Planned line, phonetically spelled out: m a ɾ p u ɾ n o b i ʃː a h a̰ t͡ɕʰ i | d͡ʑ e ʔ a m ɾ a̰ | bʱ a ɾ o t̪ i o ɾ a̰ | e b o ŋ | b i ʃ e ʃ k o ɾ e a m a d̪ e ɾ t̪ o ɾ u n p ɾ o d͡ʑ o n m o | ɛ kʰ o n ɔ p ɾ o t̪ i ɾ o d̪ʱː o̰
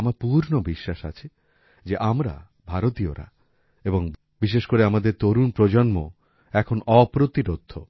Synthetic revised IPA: m a ɾ p u ɾ n o b i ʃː a ʃ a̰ t͡ɕʰ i | d͡ʑ e ʔ a m ɾ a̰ | bʱ a ɾ o t̪ i o ɾ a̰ | e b o ŋ | b i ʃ e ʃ k o ɾ e a m a d̪ e ɾ t̪ o ɾ u n p ɾ o d͡ʑ o n m o | ɛ kʰ o n ɔ p ɾ o t̪ i ɾ o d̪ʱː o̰